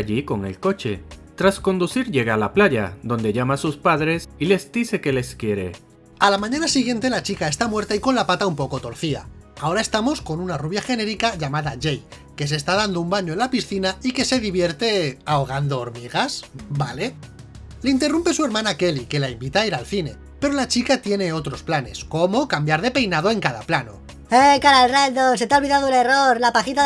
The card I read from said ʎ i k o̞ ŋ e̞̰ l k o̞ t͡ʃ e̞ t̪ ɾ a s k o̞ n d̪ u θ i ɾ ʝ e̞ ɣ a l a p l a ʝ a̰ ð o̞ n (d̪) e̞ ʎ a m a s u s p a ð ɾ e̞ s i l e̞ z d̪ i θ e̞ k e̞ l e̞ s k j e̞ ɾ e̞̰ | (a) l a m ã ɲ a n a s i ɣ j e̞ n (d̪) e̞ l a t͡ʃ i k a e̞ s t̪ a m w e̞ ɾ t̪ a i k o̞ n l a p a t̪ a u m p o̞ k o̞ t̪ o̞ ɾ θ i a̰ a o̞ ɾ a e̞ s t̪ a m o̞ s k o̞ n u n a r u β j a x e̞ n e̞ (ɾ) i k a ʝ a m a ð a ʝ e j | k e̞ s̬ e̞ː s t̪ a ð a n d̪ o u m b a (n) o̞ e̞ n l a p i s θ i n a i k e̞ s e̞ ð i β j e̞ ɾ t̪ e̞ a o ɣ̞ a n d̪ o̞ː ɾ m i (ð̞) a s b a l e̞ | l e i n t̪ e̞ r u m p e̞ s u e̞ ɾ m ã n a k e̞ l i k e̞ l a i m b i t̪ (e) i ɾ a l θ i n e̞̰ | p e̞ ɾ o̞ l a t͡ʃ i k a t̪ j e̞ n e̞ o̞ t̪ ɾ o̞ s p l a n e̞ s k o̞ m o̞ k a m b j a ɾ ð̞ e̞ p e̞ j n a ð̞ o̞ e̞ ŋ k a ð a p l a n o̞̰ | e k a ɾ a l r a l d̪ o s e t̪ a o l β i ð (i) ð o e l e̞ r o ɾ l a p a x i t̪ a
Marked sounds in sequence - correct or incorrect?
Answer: correct, correct, incorrect, correct, incorrect, incorrect, incorrect, incorrect

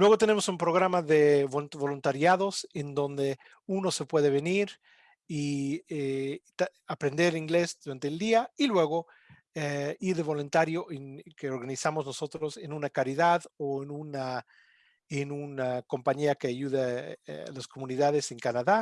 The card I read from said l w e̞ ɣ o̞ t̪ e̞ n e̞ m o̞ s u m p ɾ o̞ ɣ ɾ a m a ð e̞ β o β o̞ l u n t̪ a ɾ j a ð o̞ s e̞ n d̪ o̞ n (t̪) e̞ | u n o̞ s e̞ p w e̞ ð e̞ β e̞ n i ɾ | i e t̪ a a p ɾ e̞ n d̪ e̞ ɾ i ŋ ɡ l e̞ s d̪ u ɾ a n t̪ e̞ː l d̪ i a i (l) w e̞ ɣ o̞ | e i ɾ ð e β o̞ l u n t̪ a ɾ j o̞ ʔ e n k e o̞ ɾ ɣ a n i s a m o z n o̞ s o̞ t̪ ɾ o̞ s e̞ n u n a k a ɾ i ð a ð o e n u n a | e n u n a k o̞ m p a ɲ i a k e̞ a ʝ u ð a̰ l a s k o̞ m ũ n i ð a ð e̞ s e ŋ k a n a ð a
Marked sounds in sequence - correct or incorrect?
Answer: incorrect, correct

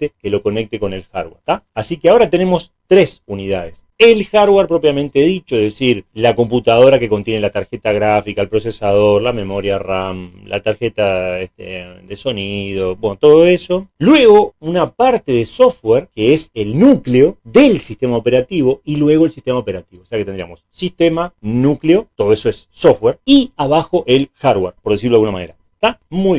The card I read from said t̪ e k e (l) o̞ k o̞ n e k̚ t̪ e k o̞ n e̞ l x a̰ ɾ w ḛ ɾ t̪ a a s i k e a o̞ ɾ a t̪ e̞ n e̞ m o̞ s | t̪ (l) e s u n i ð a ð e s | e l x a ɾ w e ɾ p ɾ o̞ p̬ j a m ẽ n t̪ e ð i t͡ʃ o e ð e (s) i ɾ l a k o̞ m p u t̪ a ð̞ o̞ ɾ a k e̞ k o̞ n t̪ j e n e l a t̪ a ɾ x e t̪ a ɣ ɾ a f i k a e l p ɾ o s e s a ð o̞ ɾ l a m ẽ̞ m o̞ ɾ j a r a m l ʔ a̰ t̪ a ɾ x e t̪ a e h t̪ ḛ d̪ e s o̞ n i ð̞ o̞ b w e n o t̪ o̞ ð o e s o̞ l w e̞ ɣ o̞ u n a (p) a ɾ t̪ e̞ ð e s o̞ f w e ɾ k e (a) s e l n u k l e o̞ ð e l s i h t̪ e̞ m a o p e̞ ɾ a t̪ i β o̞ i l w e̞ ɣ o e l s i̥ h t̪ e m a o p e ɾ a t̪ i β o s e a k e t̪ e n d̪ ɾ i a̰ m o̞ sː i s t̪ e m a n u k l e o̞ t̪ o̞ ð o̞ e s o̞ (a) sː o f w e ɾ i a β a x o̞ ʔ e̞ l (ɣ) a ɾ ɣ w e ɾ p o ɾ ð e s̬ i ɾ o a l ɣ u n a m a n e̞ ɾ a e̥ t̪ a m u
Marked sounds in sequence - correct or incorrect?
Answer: correct, incorrect, correct, correct, incorrect, incorrect, incorrect

